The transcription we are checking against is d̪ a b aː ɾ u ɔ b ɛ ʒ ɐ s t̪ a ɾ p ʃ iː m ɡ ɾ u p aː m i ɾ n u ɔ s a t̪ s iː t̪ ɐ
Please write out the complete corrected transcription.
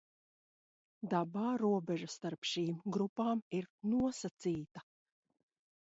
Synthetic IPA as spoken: d̪ a b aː ɾ u ɔ b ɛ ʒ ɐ s t̪ a ɾ p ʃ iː m ɡ ɾ u p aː m i ɾ n u ɔ s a t̪ s iː t̪ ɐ